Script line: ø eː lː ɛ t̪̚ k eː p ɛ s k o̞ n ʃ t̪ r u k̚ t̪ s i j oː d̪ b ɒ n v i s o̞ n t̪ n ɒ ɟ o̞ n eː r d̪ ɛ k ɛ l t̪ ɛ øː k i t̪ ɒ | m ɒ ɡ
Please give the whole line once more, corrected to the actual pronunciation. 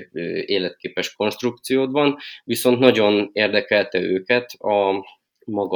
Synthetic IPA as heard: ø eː l ɛ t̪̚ k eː p ɛ ʃ k o̞ n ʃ t̪ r u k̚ t̪ s i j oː d̪ b ɒ n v i s o̞ n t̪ n ɒ ɟ o̞ n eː r d̪ ɛ k ɛ l t̪ ɛ øː k ɛ t̪ ɒ | m ɒ ɡ